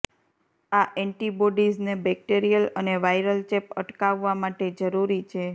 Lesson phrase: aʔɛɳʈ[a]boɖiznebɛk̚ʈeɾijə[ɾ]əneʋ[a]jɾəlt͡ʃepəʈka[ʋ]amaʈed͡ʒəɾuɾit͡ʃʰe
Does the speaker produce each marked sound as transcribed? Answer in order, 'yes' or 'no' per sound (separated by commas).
no, no, yes, no